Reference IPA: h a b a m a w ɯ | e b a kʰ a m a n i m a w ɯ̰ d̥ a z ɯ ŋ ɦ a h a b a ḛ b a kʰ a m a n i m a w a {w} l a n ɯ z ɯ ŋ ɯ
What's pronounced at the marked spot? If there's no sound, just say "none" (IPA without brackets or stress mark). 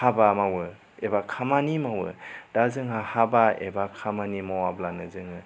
b